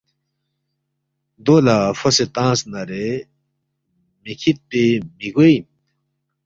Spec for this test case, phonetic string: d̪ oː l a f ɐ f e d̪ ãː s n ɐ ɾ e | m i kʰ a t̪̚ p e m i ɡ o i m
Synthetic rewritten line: d̪ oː l a f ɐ s e t̪ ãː s n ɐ ɾ e | m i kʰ i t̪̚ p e m i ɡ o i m